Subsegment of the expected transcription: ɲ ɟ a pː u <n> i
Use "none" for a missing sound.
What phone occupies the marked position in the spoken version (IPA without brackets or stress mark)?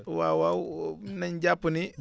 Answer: n